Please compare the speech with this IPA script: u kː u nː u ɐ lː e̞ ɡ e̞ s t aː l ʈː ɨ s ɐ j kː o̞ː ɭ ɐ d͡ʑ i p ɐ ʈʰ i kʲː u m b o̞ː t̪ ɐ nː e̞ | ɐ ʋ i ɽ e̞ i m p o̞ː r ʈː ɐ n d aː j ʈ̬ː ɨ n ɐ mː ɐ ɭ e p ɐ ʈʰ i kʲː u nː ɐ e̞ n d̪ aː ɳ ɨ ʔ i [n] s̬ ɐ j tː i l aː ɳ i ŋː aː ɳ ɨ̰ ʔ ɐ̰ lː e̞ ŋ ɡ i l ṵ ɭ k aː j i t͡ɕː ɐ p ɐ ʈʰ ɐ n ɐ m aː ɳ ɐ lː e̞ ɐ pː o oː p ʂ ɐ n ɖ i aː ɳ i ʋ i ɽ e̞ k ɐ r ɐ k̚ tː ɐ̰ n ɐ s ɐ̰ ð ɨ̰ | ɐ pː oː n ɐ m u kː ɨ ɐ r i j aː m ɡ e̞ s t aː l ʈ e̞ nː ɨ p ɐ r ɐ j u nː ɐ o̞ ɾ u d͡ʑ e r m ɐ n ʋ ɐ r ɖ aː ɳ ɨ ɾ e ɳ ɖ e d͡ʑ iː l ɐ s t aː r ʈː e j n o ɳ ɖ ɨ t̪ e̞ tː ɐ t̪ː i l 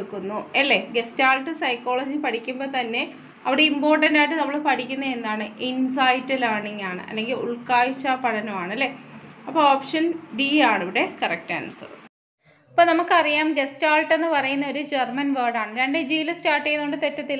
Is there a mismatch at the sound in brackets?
no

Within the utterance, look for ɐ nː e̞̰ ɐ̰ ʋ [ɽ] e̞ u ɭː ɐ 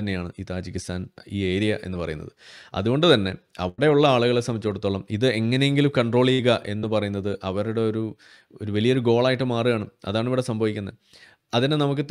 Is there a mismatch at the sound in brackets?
no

